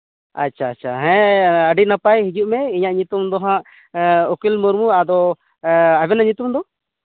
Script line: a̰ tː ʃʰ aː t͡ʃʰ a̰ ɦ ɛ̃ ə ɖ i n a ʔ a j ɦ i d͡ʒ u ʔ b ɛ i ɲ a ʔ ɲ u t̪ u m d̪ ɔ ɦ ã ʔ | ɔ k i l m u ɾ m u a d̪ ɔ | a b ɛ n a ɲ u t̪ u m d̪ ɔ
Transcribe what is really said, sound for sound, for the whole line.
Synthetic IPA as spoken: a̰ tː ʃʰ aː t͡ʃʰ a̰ ɦ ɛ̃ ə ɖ i n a p a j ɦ i d͡ʒ u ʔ m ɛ i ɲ a ʔ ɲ u t̪ u m d̪ ɔ ɦ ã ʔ | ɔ k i l m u ɾ m u a d̪ ɔ | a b ɛ n a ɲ u t̪ u m d̪ ɔ